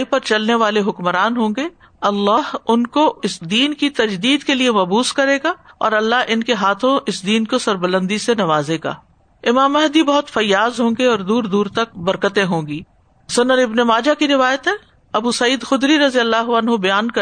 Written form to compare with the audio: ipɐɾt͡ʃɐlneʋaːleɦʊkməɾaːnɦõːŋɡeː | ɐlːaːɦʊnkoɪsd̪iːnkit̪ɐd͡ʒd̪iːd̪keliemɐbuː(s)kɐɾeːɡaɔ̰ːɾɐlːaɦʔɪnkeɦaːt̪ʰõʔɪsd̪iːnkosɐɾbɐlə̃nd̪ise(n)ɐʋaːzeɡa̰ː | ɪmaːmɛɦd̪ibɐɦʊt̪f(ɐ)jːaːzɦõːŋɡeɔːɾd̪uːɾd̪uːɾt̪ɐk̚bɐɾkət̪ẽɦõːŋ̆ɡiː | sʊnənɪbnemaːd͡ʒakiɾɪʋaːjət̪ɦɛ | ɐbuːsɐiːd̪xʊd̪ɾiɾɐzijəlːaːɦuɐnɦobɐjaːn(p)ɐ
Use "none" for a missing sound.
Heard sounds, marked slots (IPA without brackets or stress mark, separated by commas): s, n, ɐ, k